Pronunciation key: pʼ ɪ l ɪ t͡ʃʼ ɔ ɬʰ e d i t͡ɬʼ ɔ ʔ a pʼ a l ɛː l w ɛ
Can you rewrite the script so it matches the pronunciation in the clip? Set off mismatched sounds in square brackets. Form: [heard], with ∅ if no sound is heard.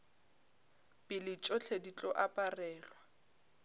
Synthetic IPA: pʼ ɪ l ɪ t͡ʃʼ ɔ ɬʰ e d i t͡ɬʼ ɔ ʔ a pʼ a [r] ɛː l w [a]